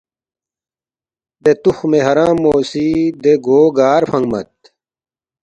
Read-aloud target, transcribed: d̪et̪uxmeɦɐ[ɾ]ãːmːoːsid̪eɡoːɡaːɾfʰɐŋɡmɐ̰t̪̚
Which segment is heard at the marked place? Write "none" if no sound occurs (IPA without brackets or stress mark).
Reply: ɾ